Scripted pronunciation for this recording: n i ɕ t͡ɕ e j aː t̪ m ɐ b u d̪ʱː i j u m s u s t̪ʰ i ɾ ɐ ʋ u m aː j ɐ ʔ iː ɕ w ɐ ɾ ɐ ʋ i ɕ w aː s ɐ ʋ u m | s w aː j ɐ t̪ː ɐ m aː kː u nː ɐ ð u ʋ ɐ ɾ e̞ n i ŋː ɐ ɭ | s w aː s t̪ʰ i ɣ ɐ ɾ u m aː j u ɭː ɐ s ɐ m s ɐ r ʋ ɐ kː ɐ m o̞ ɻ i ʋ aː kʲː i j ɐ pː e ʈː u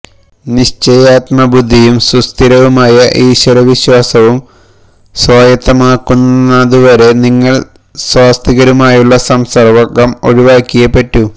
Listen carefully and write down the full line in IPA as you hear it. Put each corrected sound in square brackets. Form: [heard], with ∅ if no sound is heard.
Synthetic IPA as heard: n i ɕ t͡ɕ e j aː t̪ m ɐ b u d̪ʱː i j u m s u s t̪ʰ i ɾ ɐ ʋ u m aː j ɐ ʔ iː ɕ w ɐ ɾ ɐ ʋ i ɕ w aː s ɐ ʋ u m | s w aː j ɐ t̪ː ɐ m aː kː u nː ɐ ð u ʋ ɐ ɾ e̞ n i ŋː ɐ ɭ | s w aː s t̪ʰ i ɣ ɐ ɾ u m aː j u ɭː ɐ s ɐ m s ɐ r ʋ ɐ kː ɐ m o̞ ɻ i ʋ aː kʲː i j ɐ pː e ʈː u